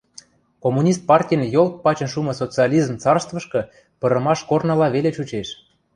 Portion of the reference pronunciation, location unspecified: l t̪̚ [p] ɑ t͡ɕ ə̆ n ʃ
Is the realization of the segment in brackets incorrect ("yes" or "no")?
no